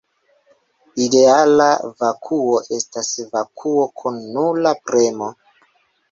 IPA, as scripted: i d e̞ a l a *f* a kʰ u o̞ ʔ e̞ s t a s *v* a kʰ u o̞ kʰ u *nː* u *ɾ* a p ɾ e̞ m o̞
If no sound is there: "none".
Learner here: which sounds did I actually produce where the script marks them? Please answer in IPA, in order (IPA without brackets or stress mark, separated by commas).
v, v, nː, l